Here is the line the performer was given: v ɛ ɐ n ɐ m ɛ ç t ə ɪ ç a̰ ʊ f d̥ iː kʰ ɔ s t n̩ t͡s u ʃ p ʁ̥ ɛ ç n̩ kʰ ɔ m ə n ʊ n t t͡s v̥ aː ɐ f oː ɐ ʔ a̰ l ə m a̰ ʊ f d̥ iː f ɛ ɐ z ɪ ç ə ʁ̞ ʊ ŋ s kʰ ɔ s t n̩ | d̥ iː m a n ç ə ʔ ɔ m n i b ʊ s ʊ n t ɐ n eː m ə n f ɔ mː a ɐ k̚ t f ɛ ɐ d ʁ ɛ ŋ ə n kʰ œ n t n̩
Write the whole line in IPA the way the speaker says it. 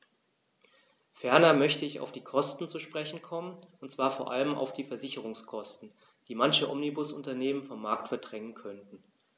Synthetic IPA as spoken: f ɛ ɐ n ɐ m œ ç t ə ɪ ç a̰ ʊ f d̥ iː kʰ ɔ s t n̩ t͡s u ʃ p ʁ̥ ɛ ç n̩ kʰ ɔ m ə n ʊ n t t͡s v̥ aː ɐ f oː ɐ ʔ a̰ l ə m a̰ ʊ f d̥ iː f ɛ ɐ z ɪ ç ə ʁ̞ ʊ ŋ s kʰ ɔ s t n̩ | d̥ iː m a n ç ə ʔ ɔ m n i b ʊ s ʊ n t ɐ n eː m ə n f ɔ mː a ɐ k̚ t f ɛ ɐ d ʁ ɛ ŋ ə n kʰ œ n t n̩